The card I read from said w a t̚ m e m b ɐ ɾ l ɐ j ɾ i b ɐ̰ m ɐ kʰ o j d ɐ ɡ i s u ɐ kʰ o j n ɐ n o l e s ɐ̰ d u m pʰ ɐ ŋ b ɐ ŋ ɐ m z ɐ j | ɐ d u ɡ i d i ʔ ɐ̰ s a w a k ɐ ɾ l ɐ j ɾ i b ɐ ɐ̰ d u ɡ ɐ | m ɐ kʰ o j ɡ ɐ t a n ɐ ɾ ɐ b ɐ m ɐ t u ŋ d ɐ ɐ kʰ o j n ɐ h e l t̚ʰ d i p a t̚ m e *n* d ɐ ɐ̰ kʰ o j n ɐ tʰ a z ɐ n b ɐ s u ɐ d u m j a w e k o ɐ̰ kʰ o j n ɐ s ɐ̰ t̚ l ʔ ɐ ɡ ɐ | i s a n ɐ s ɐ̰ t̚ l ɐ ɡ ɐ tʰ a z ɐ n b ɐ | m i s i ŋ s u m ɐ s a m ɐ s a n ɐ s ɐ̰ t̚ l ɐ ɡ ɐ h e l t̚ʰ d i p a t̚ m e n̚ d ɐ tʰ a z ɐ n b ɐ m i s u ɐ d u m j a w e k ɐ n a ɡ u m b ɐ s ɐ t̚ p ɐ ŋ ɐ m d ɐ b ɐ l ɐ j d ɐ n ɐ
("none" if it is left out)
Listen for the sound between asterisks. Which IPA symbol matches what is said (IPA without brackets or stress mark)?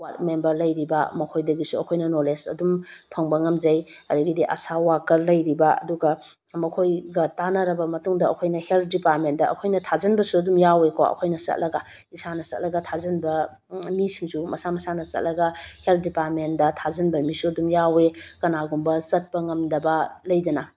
n